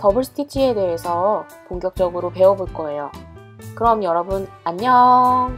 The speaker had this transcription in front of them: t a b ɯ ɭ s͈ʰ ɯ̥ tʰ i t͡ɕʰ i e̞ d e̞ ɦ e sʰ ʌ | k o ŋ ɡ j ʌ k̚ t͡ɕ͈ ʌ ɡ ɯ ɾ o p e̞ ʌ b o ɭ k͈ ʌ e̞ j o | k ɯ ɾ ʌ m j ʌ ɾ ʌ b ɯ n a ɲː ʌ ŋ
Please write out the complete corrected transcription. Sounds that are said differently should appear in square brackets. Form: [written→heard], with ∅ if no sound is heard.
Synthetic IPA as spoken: t [a→ʌ] b ɯ ɭ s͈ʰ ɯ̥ tʰ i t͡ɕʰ i e̞ d e̞ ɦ e sʰ ʌ | k o ŋ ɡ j ʌ k̚ t͡ɕ͈ ʌ ɡ ɯ ɾ o p e̞ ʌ b o ɭ k͈ ʌ e̞ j o | k ɯ ɾ ʌ m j ʌ ɾ ʌ b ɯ n a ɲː ʌ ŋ